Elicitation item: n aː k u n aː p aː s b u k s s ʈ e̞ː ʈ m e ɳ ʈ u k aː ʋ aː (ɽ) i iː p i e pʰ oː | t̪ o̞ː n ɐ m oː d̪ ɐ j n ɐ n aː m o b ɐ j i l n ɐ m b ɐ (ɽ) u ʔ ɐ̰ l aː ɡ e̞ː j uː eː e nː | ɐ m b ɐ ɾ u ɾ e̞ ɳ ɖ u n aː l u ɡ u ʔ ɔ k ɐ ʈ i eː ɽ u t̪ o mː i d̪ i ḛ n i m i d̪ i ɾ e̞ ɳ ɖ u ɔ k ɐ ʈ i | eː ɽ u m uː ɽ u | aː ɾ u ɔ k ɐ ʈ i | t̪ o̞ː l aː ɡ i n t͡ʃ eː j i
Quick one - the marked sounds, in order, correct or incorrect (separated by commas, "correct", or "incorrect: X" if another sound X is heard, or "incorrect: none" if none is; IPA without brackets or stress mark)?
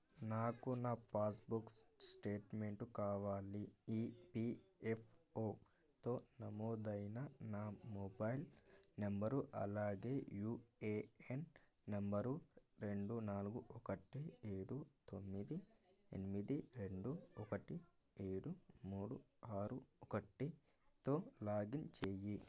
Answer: incorrect: l, incorrect: ɾ